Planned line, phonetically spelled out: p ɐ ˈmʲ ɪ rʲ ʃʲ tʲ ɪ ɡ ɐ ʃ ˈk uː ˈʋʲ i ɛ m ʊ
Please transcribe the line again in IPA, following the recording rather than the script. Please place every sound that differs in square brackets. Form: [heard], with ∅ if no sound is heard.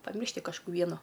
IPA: p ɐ ˈmʲ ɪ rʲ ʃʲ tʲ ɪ [k] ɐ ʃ ˈk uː ˈʋʲ i ɛ [n] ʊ